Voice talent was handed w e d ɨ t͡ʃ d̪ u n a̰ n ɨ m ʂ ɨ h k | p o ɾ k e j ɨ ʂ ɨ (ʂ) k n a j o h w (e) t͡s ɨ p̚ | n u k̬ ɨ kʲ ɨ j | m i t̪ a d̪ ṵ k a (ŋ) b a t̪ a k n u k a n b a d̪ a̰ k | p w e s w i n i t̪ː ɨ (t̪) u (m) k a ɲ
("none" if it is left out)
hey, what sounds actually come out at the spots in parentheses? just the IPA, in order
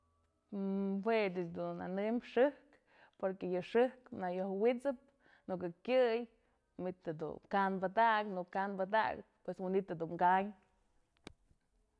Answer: h, i, n, d̪, ŋ

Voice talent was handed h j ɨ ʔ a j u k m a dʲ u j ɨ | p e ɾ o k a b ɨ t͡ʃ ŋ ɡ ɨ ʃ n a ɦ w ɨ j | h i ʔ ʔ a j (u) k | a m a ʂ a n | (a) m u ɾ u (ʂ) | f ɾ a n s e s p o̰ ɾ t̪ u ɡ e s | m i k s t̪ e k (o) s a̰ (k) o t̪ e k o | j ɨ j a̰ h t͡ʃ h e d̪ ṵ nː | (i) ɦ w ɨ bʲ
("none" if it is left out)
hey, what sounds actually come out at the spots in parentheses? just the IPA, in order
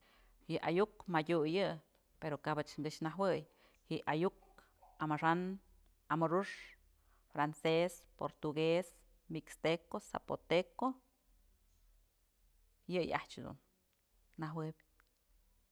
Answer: u, a, ʂ, o, p, a

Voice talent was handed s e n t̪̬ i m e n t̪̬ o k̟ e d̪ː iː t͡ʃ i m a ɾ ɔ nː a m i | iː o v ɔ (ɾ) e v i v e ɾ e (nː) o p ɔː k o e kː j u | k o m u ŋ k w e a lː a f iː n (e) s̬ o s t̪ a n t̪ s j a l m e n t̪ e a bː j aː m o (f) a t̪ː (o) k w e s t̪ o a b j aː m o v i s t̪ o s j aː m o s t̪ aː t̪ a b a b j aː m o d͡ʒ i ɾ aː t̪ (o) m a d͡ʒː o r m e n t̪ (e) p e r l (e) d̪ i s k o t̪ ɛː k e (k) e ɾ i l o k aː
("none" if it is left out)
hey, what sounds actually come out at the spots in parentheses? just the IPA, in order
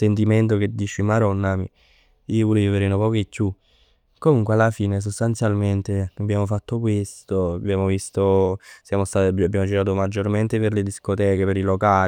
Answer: l, n, e, f, o, o, e, e, p

